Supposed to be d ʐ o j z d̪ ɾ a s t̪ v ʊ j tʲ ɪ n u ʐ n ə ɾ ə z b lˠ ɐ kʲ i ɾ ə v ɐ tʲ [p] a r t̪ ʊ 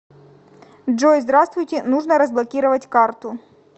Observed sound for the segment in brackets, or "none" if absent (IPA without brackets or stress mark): k